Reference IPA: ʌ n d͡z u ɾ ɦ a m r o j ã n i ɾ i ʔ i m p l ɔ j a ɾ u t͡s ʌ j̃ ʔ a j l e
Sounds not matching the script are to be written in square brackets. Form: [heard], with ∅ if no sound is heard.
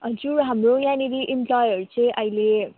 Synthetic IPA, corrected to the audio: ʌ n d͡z u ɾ ɦ a m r o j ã n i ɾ i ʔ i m p l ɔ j [ʌ] ɾ u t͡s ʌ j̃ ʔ [ʌ] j l e